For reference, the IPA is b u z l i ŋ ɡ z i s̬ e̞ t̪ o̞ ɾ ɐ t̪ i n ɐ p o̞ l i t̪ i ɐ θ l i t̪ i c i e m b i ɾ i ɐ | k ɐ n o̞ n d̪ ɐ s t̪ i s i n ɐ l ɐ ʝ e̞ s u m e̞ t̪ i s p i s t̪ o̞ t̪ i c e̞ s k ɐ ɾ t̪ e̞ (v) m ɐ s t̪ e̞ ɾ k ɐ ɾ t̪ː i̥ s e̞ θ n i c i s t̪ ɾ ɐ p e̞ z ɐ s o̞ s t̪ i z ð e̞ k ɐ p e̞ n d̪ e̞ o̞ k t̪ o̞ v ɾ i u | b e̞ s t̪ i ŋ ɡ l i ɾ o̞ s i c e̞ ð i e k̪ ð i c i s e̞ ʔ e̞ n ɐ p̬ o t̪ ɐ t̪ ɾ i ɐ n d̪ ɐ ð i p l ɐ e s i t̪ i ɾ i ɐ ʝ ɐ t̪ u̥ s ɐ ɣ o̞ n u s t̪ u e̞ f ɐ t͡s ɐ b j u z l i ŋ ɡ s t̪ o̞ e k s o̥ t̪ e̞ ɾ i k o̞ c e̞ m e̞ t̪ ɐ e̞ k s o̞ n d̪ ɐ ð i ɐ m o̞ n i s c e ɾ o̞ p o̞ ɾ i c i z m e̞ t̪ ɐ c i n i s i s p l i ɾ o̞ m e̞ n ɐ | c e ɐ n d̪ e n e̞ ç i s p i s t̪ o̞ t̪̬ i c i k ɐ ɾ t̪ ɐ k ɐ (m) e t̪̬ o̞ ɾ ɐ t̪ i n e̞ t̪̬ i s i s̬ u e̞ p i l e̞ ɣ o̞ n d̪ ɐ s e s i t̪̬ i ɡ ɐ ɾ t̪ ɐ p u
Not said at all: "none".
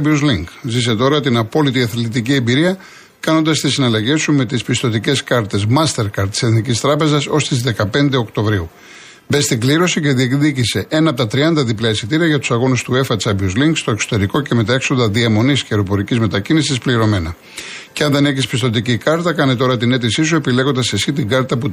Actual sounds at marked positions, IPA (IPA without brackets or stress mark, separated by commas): z, n